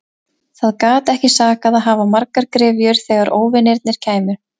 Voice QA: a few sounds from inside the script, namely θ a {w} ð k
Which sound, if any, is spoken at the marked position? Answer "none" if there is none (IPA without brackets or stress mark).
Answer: none